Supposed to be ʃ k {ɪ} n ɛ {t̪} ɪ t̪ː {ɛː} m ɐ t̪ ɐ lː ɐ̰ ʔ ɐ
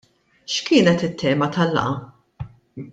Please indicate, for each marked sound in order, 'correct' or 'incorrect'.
incorrect: ɪː, correct, correct

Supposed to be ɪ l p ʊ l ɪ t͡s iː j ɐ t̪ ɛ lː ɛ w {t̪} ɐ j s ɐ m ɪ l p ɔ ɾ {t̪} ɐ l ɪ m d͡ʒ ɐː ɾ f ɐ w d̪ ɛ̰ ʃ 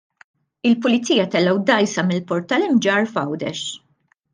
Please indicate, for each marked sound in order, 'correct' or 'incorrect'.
incorrect: d̪, correct

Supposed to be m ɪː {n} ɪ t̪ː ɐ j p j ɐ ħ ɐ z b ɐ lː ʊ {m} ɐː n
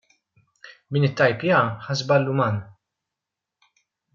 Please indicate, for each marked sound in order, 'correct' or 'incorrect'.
correct, correct

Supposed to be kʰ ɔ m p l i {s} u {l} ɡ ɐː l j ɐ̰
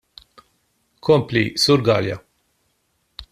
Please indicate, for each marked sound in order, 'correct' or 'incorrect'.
correct, incorrect: ɾ

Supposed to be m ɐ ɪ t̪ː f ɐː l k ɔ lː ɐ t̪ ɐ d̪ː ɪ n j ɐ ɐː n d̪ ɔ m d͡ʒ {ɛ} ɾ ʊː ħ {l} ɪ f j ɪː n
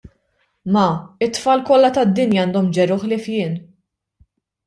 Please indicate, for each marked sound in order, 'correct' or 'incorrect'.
correct, correct

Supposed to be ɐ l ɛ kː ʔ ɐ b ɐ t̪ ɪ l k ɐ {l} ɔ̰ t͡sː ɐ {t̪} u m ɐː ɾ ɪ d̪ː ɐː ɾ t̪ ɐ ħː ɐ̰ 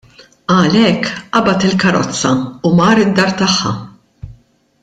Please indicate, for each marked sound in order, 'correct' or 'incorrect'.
incorrect: ɾ, incorrect: none

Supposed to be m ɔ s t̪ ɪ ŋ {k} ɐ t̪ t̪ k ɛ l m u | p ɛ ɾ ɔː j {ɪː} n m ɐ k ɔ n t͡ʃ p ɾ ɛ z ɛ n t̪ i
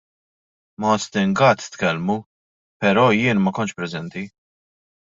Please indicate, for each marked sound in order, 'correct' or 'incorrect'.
incorrect: ɡ, correct

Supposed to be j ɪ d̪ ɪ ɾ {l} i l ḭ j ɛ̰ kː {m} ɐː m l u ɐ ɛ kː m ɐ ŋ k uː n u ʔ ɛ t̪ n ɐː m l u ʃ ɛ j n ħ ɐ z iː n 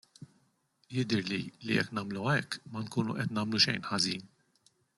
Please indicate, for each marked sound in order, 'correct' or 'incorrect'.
correct, incorrect: n

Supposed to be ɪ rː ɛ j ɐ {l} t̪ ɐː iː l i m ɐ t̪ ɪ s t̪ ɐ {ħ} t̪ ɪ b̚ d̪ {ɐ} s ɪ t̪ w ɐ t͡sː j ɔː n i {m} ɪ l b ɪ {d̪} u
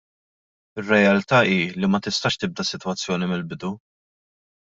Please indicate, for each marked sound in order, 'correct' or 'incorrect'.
correct, incorrect: ʃ, correct, correct, correct

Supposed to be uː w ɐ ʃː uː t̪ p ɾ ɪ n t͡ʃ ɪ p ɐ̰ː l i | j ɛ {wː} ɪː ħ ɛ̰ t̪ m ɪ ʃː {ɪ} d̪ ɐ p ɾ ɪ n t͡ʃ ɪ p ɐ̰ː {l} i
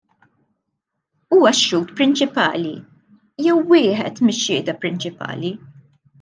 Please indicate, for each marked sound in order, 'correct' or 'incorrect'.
correct, incorrect: ɪː, correct

